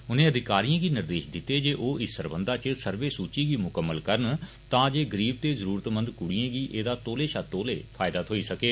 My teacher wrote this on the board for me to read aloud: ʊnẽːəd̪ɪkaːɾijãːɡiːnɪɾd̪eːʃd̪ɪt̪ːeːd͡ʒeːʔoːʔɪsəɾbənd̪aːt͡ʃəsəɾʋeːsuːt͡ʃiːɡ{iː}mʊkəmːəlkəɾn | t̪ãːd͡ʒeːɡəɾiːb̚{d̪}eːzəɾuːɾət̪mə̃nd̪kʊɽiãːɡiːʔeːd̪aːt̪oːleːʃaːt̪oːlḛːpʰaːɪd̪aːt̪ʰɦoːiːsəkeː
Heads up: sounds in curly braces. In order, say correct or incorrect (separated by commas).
correct, incorrect